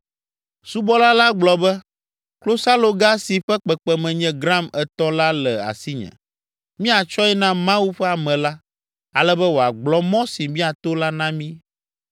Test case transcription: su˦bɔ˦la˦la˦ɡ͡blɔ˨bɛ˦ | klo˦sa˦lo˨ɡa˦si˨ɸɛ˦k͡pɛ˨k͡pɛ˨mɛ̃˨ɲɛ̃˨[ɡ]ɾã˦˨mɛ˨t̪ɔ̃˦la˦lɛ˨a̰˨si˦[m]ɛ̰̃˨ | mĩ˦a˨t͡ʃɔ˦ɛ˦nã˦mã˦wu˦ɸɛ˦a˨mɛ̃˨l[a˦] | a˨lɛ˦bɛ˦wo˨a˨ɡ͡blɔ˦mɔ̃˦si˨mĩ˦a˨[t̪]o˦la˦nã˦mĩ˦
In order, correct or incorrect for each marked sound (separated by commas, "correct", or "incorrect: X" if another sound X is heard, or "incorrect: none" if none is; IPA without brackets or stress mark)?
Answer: correct, incorrect: ɲ, correct, correct